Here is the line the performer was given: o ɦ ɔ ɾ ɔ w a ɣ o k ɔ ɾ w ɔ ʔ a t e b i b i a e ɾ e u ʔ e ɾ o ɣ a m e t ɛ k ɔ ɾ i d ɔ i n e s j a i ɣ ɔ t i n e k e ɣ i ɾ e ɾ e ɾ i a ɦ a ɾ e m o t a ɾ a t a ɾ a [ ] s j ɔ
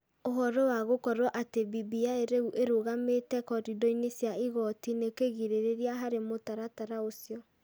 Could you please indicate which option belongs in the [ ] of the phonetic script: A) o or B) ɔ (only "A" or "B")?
A